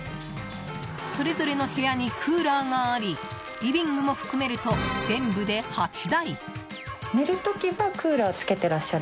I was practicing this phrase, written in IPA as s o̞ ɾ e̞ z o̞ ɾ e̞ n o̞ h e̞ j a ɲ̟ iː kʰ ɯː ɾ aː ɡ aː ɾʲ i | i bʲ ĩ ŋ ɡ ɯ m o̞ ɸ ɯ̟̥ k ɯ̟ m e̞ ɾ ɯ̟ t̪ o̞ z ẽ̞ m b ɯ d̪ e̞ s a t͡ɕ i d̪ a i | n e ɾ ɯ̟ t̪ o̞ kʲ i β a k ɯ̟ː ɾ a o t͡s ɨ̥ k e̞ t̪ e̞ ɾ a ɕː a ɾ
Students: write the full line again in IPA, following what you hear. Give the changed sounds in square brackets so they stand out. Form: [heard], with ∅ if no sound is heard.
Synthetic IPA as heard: s o̞ ɾ e̞ z o̞ ɾ e̞ n o̞ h e̞ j a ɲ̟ [i] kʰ ɯː ɾ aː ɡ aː ɾʲ i | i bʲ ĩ ŋ ɡ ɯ m o̞ ɸ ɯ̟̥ k ɯ̟ m e̞ ɾ ɯ̟ t̪ o̞ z ẽ̞ m b ɯ d̪ e̞ [h] a t͡ɕ i d̪ a i | n e ɾ ɯ̟ t̪ o̞ kʲ i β a k ɯ̟ː ɾ a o t͡s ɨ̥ k e̞ t̪ e̞ ɾ a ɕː a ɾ